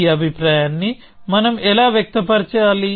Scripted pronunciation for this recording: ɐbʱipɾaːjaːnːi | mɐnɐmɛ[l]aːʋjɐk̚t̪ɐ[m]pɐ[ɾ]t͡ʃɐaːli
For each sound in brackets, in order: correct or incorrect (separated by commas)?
correct, incorrect, correct